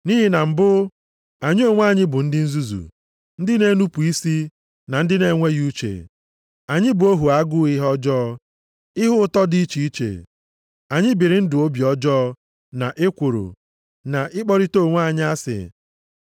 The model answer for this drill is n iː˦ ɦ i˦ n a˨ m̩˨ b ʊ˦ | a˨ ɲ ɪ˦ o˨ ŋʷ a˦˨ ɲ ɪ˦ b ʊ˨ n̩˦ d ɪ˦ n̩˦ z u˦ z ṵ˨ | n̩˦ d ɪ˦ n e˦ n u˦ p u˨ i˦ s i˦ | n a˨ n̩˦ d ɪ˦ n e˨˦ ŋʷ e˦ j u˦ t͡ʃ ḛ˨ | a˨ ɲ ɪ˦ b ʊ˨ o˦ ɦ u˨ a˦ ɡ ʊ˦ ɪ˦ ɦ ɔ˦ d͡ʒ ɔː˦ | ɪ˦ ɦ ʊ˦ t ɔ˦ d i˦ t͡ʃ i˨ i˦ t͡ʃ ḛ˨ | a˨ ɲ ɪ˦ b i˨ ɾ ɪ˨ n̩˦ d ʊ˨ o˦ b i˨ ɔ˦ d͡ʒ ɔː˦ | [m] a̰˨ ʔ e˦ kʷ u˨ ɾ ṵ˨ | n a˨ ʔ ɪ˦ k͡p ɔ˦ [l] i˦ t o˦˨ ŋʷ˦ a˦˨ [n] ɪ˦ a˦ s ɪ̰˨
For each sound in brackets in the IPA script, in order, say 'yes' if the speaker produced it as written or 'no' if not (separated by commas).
no, no, no